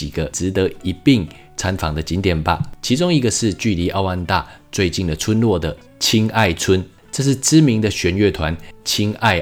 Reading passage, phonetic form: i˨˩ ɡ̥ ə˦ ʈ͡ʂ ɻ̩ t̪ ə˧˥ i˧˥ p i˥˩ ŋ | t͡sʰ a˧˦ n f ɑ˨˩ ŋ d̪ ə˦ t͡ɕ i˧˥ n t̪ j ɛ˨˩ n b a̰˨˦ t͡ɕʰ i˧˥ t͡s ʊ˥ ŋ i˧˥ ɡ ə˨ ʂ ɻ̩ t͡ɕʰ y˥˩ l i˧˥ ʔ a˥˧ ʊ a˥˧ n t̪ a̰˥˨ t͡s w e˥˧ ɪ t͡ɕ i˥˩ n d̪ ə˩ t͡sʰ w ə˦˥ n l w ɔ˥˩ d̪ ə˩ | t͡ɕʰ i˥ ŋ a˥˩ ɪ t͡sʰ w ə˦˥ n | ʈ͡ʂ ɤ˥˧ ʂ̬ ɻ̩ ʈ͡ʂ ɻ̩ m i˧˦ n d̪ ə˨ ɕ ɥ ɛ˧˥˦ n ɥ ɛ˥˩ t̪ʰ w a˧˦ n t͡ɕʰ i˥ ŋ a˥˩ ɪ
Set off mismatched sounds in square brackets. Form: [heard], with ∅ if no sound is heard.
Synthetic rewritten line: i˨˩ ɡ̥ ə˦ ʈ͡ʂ ɻ̩ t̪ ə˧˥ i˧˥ p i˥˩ ŋ | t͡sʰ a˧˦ n f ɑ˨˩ ŋ d̪ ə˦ t͡ɕ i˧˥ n t̪ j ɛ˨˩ n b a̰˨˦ t͡ɕʰ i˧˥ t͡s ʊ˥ ŋ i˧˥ ɡ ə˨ ʂ ɻ̩ [t͡ɕ] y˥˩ l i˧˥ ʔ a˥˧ ʊ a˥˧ n t̪ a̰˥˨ t͡s w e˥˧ ɪ t͡ɕ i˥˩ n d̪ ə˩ t͡sʰ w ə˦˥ n l w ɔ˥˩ d̪ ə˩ | t͡ɕʰ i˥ ŋ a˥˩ ɪ t͡sʰ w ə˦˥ n | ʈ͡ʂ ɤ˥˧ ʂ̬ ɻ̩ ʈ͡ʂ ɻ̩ m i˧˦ [ŋ] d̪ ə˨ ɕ ɥ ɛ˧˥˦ n ɥ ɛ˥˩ t̪ʰ w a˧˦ n t͡ɕʰ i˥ ŋ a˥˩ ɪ